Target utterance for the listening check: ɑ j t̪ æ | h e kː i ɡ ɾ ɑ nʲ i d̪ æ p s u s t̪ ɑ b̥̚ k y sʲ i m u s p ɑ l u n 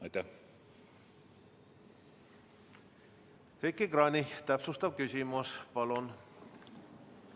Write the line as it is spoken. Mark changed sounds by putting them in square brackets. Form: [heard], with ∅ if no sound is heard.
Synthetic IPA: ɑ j t̪ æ | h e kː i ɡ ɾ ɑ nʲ i [t̪] æ p s u s t̪ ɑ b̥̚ k y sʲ i m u s p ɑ l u n